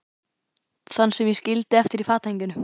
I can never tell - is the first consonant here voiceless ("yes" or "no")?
yes